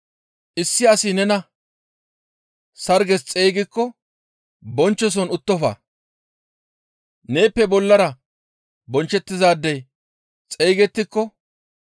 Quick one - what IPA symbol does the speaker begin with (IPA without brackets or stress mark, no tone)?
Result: ʔ